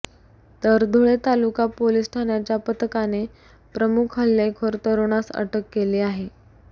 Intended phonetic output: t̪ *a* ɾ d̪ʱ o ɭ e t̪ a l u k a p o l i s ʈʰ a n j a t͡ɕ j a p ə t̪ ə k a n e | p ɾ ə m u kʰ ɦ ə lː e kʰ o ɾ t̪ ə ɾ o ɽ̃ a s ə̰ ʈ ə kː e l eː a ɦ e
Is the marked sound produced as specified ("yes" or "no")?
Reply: no